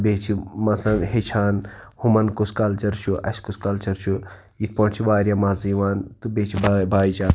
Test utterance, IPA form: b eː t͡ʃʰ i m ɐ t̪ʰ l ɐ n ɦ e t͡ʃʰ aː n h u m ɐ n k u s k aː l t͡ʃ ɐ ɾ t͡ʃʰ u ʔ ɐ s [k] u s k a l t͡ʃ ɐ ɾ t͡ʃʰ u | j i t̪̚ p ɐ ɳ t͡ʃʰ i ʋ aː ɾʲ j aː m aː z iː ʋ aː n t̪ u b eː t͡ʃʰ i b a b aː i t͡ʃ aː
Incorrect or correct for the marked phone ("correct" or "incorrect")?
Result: correct